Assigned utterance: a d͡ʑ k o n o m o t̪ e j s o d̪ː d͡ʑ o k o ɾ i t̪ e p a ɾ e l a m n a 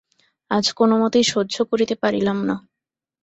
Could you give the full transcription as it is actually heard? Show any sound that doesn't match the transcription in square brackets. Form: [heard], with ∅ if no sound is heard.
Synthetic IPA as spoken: a d͡ʑ k o n o m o t̪ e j [ʃ] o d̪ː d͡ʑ o k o ɾ i t̪ e p a ɾ [i] l a m n a